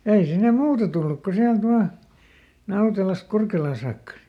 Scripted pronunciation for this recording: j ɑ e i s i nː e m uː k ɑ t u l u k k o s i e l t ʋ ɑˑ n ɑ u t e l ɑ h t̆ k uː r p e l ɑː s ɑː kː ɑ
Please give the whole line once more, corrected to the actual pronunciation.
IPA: j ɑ e i s i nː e m uː t ɑ t u lː u k k o s i æ l t ʋ ɑˑ n ɑ u t e l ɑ s t̆ k u r k e l ɑː s ɑː kː ɑ